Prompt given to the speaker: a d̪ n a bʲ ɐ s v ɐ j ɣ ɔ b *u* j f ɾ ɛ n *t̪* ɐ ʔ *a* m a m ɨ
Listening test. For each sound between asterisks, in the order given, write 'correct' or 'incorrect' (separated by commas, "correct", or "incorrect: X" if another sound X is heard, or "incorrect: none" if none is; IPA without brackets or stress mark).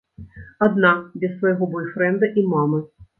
incorrect: ɔ, incorrect: d̪, incorrect: i